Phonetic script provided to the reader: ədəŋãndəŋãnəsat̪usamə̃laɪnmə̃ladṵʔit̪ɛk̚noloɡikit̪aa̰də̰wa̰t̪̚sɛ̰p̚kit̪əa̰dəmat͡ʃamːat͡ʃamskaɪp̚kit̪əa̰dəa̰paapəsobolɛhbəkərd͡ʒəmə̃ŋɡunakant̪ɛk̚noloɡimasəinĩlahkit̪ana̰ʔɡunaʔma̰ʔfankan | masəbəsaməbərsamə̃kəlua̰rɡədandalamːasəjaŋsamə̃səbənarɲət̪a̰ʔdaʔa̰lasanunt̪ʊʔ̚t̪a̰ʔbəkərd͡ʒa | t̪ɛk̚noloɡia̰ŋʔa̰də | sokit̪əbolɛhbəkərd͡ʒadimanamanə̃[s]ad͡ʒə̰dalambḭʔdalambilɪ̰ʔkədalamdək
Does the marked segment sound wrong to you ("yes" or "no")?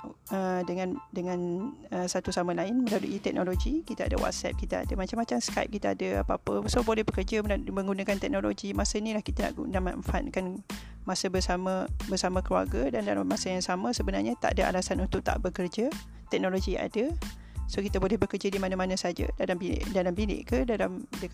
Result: no